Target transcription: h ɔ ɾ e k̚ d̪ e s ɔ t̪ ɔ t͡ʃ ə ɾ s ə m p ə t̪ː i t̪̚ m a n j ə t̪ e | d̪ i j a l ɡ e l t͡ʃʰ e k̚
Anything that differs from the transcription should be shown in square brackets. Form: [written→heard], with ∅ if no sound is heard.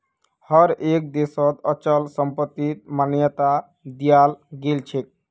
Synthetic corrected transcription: h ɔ ɾ e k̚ d̪ e s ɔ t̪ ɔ t͡ʃ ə [ɾ→l] s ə m p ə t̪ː i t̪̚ m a n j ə t̪ [e→a] | d̪ i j a l ɡ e l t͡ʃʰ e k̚